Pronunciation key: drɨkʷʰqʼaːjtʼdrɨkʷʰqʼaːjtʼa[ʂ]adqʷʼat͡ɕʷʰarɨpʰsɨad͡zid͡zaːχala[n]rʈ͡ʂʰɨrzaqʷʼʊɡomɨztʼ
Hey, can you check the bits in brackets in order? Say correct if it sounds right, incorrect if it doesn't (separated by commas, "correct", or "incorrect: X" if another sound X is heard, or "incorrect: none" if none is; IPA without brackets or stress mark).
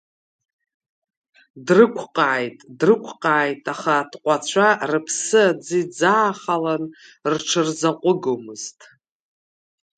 incorrect: χ, correct